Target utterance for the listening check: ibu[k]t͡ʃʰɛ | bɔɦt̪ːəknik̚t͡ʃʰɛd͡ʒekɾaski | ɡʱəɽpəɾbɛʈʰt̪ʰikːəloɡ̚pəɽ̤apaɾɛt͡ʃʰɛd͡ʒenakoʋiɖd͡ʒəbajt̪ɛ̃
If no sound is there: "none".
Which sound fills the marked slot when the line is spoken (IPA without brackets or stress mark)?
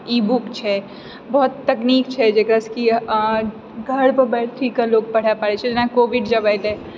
k